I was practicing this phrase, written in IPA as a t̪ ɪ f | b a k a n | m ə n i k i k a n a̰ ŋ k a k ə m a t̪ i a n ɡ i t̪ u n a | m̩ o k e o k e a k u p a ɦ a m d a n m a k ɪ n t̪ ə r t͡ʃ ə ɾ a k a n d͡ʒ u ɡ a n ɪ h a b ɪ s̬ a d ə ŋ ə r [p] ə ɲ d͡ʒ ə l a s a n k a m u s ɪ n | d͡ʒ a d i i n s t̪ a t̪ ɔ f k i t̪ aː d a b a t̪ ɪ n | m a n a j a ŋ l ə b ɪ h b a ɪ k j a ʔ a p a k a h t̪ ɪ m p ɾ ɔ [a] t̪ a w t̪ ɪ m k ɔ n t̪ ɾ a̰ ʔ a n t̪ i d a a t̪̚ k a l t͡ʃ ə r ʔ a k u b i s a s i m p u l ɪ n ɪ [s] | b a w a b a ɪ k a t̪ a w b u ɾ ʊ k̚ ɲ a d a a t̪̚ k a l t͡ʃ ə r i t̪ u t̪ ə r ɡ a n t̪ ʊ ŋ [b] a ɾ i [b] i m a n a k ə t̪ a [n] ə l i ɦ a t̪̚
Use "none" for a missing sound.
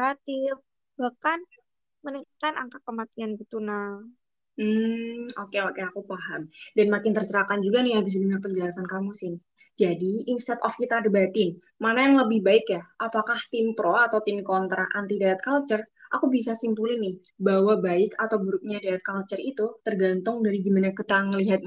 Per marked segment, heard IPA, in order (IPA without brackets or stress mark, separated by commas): p, a, h, d, ɡ, ŋ